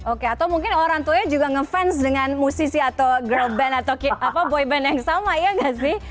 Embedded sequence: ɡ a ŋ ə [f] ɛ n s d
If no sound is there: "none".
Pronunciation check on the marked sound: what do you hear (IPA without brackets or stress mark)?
f